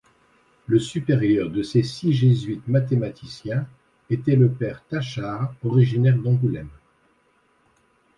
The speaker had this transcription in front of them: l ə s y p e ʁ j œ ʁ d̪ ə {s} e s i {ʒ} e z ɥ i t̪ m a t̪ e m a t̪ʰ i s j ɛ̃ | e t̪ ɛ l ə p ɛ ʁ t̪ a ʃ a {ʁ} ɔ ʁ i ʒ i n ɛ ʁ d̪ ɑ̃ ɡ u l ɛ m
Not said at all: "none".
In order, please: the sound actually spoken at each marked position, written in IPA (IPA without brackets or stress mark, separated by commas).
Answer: s, ʒ, ʁ